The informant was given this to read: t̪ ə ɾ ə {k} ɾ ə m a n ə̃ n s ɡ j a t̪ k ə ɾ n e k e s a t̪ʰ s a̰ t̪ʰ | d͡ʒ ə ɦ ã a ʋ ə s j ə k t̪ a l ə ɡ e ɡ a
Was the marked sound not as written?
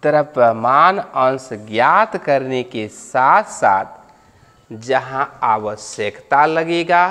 yes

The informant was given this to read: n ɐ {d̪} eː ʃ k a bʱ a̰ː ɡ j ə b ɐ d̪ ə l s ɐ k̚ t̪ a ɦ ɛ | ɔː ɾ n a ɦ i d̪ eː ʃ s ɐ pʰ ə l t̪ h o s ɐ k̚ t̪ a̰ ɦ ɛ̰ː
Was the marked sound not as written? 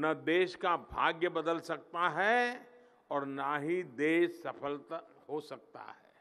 no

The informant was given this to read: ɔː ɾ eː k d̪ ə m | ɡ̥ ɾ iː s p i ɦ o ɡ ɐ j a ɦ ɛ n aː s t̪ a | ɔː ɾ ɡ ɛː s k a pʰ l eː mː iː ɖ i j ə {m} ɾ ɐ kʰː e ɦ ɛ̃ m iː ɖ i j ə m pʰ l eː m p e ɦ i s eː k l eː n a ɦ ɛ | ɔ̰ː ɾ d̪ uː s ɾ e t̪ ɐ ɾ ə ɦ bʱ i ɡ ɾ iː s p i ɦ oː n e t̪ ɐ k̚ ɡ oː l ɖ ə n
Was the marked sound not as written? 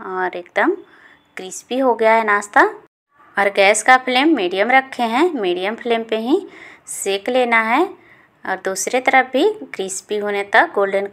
no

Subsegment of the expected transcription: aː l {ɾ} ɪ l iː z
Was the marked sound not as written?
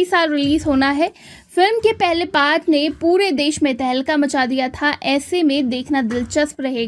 no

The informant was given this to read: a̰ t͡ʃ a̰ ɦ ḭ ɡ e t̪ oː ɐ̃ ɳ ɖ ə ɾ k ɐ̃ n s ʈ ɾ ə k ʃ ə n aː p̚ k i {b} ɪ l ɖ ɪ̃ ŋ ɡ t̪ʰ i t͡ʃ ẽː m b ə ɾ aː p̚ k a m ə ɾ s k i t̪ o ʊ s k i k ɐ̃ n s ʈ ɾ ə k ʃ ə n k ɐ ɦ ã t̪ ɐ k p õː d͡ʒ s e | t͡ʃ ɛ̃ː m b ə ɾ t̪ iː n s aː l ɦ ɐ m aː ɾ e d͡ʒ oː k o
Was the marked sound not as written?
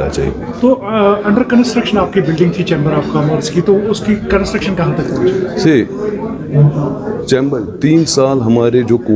no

